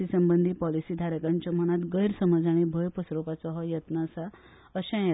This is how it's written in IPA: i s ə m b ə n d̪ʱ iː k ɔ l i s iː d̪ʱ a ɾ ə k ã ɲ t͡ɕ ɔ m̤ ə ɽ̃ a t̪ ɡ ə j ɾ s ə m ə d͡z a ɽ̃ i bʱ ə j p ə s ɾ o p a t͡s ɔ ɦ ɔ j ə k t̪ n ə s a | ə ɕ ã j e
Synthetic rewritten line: i s ə m b ə n d̪ʱ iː p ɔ l i s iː d̪ʱ a ɾ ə k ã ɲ t͡ɕ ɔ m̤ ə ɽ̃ a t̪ ɡ ə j ɾ s ə m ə d͡z a ɽ̃ i bʱ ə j p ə s ɾ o p a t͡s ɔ ɦ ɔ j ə t̪ n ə s a | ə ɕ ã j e